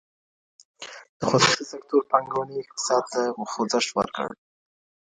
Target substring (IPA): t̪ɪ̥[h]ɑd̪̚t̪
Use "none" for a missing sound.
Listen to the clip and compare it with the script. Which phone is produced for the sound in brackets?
s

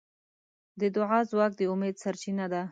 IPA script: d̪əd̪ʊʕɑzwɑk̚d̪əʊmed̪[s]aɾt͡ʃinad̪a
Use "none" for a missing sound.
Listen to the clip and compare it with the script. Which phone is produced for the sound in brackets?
s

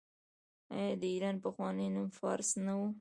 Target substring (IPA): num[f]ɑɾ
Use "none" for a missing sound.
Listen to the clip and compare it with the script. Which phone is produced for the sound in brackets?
f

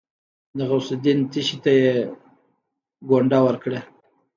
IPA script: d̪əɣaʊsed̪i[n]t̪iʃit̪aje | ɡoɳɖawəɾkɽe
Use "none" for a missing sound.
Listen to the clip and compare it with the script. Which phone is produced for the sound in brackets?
n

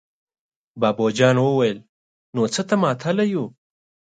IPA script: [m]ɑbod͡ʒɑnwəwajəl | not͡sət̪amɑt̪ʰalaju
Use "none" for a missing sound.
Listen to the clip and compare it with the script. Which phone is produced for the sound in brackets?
b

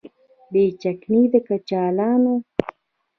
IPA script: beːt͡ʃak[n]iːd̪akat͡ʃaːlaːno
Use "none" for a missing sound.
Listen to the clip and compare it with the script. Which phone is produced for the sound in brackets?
n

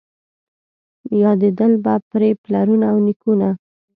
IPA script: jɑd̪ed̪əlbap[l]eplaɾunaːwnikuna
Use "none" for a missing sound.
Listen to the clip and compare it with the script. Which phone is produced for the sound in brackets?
ɾ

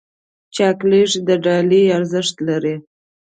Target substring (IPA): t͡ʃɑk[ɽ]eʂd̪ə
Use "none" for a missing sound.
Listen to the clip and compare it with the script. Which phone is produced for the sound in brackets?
l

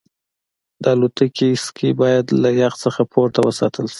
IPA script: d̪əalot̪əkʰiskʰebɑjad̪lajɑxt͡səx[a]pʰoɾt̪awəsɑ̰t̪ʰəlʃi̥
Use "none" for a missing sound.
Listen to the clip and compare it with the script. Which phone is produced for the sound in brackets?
a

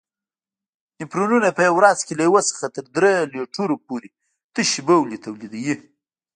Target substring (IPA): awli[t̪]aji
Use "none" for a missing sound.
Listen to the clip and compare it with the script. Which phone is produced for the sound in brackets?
d̪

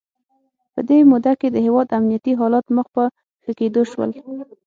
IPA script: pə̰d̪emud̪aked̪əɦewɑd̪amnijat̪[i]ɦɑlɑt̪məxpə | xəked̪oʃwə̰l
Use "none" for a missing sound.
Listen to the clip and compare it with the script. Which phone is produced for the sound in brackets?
i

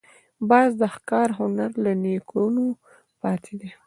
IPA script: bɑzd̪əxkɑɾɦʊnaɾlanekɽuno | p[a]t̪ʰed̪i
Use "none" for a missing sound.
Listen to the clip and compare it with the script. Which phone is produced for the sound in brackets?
ɑ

